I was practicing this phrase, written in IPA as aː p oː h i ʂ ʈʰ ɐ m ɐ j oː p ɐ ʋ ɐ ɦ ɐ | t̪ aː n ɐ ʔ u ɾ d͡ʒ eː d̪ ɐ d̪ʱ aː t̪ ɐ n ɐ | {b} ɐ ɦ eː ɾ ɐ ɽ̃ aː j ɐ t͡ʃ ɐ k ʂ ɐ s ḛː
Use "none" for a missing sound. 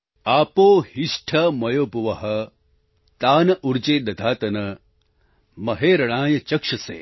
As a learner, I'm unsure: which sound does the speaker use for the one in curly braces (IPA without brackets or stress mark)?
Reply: m